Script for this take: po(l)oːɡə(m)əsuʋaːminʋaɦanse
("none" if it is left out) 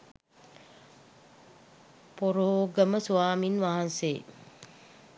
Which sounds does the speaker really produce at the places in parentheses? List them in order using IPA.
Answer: ɾ, m

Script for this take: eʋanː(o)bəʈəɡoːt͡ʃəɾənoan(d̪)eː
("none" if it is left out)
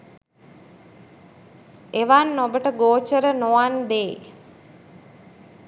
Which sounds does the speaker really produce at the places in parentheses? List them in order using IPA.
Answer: o, d̪

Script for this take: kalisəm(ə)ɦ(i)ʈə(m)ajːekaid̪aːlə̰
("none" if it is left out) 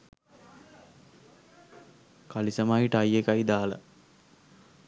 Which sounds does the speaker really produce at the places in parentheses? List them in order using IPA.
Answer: a, i, none

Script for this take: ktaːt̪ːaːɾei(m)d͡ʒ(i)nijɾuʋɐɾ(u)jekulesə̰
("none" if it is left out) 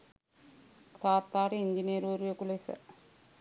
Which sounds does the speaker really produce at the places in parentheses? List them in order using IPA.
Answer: ɲ, i, u

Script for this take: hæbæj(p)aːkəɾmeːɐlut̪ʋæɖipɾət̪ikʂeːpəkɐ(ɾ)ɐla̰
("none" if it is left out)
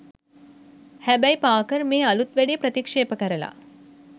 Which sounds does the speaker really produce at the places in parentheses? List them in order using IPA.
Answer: p, ɾ

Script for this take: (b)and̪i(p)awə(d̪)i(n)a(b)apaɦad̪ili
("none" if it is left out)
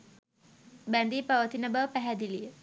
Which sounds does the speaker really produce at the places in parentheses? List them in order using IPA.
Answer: b, p, t̪, n, b

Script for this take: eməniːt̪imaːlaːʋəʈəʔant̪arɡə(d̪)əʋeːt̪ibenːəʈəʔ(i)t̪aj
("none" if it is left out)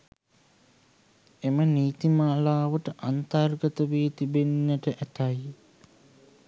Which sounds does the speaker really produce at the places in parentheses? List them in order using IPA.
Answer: t̪, æ

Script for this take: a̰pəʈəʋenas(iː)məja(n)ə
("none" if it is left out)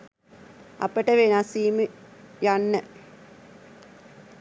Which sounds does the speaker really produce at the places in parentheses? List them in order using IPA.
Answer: iː, nː

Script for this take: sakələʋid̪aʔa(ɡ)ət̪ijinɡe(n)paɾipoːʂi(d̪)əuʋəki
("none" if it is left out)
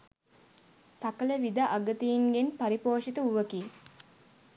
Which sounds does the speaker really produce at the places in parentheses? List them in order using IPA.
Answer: ɡ, n, t̪

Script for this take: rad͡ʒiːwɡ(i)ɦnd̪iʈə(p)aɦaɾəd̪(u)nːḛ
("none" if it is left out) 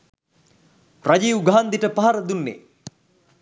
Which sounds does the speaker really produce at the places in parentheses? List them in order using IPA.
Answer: a, p, u

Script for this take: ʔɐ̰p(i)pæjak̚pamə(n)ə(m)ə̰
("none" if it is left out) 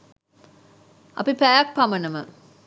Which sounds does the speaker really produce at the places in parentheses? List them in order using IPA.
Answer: i, n, m

